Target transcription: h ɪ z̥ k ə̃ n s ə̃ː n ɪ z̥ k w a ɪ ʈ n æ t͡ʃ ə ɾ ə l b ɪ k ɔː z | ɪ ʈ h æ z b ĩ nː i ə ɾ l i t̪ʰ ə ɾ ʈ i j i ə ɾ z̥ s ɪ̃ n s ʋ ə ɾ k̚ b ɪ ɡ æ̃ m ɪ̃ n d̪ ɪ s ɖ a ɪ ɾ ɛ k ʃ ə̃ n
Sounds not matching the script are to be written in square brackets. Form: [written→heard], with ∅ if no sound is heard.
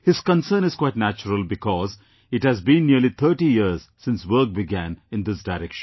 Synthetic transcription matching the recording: h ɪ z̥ k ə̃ n s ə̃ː n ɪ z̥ k w a ɪ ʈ n æ t͡ʃ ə ɾ ə l b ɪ k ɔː z | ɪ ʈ h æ z b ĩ nː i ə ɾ l i t̪ʰ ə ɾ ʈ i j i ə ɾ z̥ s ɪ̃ n s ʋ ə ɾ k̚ b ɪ ɡ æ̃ [m→n] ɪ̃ n d̪ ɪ s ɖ a ɪ ɾ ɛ k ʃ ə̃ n